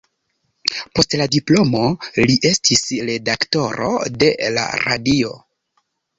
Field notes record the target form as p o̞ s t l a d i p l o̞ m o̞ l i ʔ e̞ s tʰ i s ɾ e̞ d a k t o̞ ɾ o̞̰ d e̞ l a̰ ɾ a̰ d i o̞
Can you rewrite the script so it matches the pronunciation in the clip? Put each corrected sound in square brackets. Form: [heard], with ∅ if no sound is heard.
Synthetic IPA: p o̞ s t l a d i p l o̞ m o̞ l i ʔ e̞ s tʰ i s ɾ e̞ d a k t o̞ ɾ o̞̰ d e̞ l a̰ ɾ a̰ d i o̞